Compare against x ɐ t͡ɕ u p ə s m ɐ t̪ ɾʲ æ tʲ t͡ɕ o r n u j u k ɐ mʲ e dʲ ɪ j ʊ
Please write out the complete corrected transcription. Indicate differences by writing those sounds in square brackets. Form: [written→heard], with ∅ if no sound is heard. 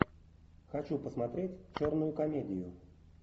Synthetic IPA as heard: x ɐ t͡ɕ u p ə s m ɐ t̪ ɾʲ [æ→e] tʲ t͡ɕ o r n [u→ʊ] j [u→ʊ] k ɐ mʲ e dʲ ɪ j ʊ